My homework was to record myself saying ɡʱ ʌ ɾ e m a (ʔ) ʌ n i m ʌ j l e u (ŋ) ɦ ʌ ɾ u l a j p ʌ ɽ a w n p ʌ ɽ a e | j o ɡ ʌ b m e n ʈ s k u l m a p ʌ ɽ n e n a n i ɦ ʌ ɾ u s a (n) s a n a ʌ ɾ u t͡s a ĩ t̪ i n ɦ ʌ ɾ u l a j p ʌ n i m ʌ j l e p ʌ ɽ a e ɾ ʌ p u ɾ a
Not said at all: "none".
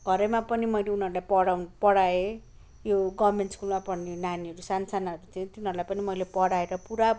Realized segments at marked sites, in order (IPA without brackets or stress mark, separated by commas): p, n, n